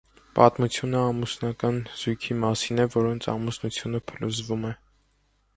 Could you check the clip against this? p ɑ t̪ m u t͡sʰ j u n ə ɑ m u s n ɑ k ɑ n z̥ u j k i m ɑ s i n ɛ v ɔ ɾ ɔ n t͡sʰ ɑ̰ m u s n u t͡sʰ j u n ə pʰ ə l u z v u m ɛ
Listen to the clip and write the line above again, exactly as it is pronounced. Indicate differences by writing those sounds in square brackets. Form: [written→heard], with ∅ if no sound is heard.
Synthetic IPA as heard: p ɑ t̪ m u t͡sʰ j u n ə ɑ m u s n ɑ k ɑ n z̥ u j [k→kʰ] i m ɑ s i n ɛ v ɔ ɾ ɔ n t͡sʰ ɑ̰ m u s n u t͡sʰ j u n ə pʰ ə l u z v u m ɛ